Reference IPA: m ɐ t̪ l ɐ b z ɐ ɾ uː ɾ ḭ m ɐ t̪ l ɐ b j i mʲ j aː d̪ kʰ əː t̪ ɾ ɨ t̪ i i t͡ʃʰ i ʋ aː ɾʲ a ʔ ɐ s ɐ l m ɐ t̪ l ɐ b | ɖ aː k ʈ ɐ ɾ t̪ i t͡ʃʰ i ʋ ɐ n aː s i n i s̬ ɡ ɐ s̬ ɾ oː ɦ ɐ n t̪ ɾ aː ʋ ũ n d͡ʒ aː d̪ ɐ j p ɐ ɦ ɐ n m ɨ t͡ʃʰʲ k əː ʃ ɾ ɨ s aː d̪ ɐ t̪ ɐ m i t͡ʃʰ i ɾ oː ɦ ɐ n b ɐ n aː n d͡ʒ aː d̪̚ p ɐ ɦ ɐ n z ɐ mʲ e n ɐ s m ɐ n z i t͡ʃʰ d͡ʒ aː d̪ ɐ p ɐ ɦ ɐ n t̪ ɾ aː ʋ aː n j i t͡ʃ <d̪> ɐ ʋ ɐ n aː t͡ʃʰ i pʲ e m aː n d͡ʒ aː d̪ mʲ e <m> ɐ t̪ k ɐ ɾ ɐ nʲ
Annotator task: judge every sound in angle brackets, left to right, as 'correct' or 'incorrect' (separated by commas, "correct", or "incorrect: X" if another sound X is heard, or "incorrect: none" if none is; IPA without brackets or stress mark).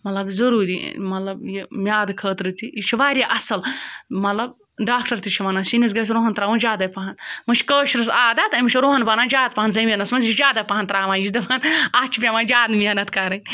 correct, incorrect: n